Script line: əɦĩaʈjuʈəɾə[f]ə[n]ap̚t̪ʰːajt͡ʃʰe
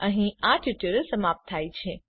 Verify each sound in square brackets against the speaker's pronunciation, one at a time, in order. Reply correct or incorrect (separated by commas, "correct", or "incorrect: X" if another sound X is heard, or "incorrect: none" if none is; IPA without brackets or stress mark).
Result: incorrect: s, incorrect: m